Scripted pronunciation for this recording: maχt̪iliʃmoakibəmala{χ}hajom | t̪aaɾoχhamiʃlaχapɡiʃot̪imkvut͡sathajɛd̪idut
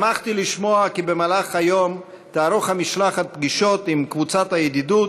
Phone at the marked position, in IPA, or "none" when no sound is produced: χ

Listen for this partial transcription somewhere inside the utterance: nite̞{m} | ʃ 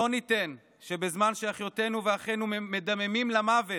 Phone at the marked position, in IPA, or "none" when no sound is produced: n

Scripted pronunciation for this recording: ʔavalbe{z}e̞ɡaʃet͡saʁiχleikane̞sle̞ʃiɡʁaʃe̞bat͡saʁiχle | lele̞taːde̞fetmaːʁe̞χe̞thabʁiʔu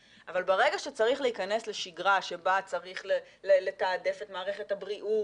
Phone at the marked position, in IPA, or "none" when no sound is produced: ʁ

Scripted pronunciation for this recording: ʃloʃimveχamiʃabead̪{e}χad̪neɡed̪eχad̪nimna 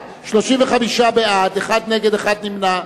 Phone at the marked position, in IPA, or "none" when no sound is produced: e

